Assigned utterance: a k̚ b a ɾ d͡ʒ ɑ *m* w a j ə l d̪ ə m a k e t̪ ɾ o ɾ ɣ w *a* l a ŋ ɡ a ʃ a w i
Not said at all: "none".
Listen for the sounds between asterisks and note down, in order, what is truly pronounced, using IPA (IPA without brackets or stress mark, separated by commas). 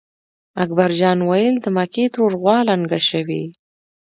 n, ɑ